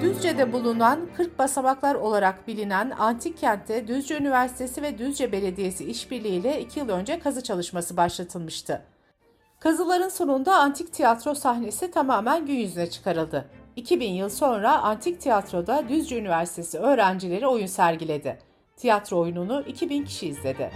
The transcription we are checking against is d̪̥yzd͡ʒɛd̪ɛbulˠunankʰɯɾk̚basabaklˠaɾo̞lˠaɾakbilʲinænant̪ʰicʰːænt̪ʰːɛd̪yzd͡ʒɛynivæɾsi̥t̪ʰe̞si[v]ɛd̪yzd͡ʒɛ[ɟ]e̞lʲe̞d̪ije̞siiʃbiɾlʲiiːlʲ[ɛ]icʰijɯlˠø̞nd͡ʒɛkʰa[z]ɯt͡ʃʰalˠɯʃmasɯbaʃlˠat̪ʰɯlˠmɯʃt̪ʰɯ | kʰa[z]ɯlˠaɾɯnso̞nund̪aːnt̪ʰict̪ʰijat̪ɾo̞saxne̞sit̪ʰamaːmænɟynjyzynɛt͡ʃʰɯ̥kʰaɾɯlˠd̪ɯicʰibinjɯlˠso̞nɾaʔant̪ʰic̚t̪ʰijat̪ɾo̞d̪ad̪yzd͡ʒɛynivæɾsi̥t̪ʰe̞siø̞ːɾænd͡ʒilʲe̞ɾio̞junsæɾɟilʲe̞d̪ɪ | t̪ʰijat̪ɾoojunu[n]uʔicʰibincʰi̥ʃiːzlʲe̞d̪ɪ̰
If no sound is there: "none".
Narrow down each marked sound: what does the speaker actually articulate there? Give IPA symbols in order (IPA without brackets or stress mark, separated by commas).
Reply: v, b, ɛ, z, z, n